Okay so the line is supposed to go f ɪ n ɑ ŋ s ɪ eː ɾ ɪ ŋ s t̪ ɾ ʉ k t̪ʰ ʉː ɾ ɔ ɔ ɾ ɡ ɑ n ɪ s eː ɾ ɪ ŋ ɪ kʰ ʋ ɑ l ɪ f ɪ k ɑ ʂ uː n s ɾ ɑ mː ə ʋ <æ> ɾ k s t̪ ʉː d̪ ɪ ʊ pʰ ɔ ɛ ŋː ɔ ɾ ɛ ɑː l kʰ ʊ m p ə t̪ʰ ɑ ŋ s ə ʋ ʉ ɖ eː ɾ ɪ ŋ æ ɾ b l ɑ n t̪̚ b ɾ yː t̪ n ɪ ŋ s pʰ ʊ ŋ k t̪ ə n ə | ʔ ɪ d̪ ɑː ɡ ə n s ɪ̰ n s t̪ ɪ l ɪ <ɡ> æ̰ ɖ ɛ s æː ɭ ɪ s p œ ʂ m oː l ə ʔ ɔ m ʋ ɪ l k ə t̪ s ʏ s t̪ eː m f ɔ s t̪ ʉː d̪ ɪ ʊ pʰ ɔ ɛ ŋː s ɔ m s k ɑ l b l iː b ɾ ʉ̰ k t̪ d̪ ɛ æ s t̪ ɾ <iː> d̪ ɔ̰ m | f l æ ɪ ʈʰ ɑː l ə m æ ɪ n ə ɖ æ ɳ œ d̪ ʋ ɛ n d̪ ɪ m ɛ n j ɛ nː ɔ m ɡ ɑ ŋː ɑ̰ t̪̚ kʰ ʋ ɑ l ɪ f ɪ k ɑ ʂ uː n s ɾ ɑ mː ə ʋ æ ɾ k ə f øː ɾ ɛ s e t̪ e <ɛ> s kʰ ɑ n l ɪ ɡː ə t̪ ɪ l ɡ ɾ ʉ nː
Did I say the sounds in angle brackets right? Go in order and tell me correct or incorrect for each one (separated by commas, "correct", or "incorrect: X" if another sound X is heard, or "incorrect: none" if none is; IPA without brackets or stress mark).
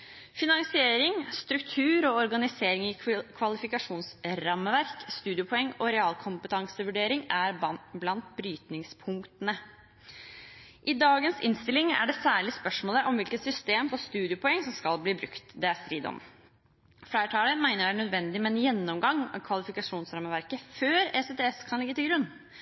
correct, incorrect: ŋ, correct, correct